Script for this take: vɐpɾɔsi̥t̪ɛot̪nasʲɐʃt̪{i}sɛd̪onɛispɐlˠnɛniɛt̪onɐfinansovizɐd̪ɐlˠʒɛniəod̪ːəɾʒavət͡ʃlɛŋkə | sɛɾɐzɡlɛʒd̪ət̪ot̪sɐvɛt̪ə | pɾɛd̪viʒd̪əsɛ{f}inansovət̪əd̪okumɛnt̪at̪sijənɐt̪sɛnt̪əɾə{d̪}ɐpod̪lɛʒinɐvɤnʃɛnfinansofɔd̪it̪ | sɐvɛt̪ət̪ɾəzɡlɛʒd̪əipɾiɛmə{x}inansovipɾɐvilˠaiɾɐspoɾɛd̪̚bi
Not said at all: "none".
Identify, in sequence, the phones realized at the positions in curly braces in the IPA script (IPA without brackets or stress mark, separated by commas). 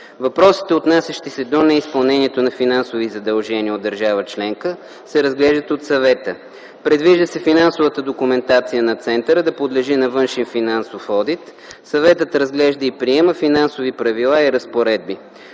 i, f, d̪, f